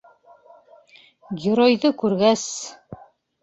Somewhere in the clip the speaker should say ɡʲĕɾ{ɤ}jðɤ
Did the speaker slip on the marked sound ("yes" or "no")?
yes